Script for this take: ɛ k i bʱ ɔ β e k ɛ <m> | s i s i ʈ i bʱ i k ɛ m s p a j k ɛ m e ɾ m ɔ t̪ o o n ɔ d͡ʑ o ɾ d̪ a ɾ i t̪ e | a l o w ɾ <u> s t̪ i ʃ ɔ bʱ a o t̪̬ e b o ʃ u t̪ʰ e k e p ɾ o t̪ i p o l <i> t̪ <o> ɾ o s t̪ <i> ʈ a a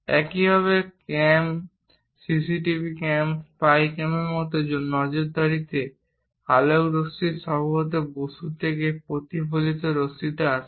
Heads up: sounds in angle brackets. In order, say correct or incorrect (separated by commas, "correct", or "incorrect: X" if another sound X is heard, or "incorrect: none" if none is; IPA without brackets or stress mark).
correct, incorrect: o, correct, correct, correct